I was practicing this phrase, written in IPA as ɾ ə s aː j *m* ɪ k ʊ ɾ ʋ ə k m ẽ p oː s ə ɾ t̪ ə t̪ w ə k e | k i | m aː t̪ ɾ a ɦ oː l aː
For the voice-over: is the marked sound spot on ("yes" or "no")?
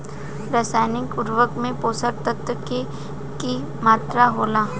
no